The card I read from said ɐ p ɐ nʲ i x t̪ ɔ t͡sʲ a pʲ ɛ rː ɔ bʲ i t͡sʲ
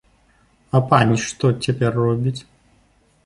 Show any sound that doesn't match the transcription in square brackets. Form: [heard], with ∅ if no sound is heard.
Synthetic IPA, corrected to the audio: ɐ p [a] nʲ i [ʂ] t̪ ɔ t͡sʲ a pʲ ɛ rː ɔ bʲ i t͡sʲ